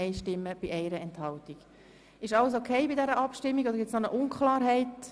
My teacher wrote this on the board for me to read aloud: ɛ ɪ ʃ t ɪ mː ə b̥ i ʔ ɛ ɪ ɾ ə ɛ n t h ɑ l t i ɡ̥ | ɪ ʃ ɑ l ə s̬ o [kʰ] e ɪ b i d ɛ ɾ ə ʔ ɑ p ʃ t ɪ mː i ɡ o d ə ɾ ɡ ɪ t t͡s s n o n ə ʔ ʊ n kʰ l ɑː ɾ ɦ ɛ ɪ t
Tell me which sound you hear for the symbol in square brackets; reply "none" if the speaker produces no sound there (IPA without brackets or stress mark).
kʰ